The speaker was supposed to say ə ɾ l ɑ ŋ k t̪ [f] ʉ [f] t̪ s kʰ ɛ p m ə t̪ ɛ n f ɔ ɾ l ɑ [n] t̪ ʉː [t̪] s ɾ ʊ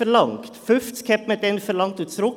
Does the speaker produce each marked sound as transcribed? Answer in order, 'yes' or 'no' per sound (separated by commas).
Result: yes, yes, no, yes